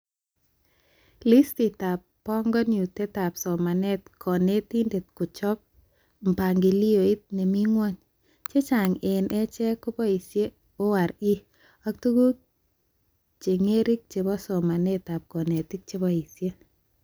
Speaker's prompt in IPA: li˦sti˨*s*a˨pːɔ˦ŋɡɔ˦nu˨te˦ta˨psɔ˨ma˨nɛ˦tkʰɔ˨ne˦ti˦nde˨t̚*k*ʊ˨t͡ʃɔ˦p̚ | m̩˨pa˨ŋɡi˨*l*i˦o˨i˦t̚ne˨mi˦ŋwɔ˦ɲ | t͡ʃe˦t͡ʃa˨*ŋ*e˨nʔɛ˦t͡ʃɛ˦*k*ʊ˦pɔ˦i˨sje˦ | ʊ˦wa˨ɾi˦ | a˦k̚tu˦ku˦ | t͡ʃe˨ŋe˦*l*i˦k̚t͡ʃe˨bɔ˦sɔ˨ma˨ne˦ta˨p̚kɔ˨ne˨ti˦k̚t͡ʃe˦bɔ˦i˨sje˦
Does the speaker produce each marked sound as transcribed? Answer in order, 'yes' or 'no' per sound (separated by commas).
no, yes, yes, yes, yes, no